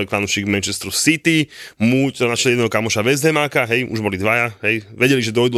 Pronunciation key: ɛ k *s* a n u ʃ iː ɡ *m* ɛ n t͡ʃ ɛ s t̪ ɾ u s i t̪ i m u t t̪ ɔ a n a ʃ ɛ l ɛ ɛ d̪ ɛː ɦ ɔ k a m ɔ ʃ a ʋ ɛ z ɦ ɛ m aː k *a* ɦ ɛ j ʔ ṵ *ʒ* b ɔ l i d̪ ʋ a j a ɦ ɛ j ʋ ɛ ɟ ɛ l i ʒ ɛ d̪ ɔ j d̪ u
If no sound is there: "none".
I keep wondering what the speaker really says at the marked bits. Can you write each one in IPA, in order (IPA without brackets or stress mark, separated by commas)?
f, m, a, ʒ